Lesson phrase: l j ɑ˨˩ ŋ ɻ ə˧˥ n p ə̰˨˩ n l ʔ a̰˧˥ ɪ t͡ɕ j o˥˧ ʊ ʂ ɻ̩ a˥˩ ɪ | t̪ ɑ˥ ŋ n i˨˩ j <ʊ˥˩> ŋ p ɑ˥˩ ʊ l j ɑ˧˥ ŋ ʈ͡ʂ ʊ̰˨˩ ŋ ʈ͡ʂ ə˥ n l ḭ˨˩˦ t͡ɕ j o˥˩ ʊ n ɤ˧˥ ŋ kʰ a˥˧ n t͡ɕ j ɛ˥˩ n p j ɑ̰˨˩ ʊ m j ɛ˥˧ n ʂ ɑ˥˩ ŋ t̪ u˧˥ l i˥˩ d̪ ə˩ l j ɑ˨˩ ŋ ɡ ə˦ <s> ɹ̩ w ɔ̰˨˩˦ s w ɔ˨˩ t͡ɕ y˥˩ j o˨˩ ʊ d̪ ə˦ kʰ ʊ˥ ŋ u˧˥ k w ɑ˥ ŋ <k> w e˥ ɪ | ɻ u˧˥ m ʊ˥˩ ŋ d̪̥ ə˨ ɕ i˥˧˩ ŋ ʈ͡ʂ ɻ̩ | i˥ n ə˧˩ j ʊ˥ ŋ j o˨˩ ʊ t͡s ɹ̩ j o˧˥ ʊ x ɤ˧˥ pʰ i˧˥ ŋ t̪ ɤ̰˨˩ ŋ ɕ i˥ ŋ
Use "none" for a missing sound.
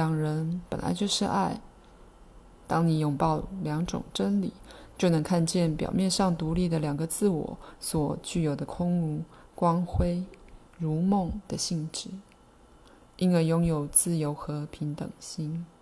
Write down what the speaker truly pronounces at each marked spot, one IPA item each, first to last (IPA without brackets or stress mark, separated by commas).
ʊ˨˩, t͡s, x